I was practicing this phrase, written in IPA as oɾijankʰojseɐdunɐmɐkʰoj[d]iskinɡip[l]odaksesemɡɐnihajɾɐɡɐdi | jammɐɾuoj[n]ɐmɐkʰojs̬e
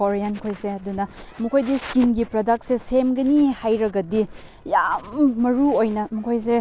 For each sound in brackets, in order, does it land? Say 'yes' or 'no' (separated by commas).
yes, no, yes